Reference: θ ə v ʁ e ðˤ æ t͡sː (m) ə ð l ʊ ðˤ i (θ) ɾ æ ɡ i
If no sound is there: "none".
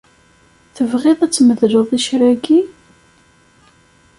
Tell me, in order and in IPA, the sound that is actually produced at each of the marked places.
m, ʃ

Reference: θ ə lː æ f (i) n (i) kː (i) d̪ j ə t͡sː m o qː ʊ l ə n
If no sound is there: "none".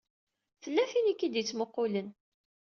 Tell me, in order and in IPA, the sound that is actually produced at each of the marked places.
i, i, i

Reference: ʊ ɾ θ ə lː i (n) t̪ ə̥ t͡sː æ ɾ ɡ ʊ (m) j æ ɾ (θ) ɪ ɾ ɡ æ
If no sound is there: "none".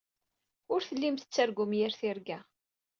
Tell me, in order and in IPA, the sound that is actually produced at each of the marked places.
m, m, θ

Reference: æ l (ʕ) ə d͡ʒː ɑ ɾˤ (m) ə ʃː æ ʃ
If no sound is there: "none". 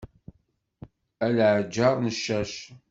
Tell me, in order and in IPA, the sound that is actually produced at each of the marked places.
ʕ, n

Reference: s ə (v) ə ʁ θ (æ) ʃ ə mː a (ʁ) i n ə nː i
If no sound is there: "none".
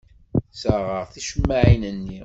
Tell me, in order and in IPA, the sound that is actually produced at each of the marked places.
ʁ, i, ʕ

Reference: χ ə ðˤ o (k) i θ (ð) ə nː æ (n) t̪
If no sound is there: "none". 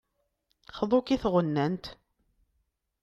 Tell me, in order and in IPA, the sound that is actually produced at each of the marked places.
k, ʁ, n

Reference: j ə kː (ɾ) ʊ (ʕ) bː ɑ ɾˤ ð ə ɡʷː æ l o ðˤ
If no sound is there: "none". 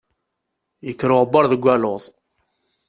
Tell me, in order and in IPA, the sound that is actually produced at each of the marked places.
ɾ, ʁ

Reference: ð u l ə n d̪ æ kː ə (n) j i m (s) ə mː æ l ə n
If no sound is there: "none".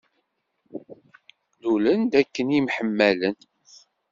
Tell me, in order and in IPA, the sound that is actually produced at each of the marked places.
n, ħ

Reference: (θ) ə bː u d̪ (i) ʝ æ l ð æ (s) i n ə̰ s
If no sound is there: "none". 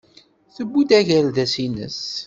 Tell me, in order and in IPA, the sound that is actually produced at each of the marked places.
θ, æ, s

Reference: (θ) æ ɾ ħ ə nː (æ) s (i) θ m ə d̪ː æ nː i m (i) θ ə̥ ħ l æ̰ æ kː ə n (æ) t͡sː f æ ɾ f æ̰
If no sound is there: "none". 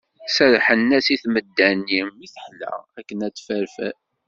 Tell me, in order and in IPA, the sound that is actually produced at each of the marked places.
s, æ, i, i, æ

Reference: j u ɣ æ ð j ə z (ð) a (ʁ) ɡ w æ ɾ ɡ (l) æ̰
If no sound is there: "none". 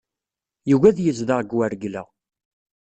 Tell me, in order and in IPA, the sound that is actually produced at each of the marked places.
ð, ʁ, l

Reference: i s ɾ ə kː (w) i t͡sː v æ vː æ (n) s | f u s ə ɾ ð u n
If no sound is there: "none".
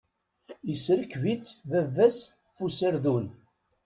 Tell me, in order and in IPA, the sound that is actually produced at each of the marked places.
v, none

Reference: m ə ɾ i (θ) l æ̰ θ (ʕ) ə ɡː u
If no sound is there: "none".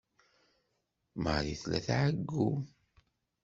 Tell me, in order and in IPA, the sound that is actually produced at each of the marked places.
θ, ʕ

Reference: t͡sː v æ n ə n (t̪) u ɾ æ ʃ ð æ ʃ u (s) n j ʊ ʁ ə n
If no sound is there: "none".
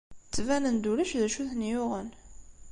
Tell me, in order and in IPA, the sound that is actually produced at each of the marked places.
d̪, θ

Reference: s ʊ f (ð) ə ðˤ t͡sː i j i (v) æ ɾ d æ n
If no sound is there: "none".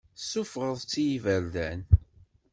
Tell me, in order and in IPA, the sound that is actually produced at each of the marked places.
ʁ, v

